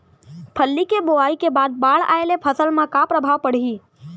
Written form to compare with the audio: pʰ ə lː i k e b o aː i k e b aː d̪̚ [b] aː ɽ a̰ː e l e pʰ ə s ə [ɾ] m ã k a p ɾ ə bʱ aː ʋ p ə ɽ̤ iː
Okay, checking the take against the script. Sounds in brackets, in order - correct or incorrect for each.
correct, incorrect: l

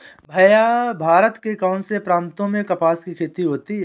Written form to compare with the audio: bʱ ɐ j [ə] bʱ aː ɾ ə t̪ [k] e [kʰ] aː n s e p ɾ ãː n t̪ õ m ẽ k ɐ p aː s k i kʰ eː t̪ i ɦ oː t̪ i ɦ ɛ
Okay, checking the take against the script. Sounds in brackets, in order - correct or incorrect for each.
incorrect: a, correct, incorrect: k

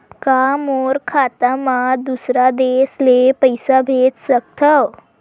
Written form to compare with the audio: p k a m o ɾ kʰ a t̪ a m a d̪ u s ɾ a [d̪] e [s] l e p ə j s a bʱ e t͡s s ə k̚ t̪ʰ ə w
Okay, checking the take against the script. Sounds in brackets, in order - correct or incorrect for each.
correct, correct

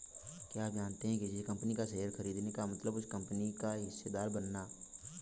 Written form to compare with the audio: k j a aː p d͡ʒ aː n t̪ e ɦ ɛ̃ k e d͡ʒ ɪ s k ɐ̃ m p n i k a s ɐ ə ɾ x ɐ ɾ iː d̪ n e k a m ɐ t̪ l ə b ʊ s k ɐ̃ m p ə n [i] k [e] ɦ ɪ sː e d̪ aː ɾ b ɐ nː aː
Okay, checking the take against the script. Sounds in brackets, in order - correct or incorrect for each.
correct, incorrect: a

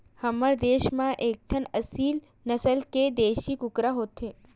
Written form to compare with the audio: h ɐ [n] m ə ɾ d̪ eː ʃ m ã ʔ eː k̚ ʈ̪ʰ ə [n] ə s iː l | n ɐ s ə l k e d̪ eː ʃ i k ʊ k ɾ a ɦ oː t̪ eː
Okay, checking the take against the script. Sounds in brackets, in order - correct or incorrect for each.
incorrect: none, correct

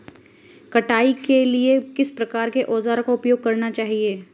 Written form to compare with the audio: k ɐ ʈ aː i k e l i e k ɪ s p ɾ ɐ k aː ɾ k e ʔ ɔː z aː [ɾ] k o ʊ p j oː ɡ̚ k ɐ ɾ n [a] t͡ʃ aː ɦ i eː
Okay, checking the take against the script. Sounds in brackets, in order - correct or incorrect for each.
correct, correct

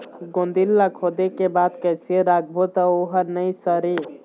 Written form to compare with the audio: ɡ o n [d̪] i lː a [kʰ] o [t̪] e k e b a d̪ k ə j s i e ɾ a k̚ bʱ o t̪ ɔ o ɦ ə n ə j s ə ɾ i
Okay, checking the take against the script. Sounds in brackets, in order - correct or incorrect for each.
correct, correct, incorrect: d̪

